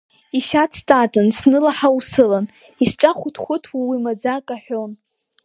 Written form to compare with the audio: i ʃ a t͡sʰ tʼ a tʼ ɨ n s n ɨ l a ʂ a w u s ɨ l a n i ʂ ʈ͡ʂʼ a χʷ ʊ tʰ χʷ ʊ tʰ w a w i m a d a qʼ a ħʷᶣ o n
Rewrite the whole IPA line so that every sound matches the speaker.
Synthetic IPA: i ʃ a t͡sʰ tʼ a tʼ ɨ n s n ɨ l a ħ a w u s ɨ l a n i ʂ ʈ͡ʂʼ a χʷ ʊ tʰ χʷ ʊ tʰ w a w i m a d͡z a kʼ a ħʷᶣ o n